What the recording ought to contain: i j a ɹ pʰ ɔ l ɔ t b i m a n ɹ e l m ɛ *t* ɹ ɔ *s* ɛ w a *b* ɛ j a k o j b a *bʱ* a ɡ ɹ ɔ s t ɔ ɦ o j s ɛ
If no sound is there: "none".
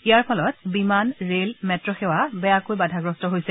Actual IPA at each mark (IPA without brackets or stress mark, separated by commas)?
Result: t, x, b, dʱ